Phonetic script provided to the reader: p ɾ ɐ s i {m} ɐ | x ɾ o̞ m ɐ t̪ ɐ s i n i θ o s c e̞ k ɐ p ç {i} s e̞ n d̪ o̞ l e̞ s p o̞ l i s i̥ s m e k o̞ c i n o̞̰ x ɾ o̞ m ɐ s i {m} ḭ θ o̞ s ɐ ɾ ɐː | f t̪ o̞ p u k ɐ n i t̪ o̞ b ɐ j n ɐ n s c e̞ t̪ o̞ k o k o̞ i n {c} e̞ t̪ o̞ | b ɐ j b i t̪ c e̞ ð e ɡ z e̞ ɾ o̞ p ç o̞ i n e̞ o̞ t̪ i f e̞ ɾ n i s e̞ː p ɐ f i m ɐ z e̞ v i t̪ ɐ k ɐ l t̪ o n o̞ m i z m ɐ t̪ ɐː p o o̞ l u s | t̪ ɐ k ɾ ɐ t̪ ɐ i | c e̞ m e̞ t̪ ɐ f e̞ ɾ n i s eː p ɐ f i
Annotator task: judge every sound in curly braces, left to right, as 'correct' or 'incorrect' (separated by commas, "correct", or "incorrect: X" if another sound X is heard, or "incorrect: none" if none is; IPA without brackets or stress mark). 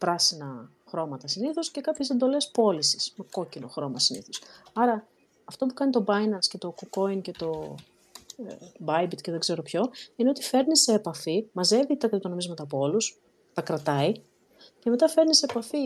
incorrect: n, incorrect: e, incorrect: n, correct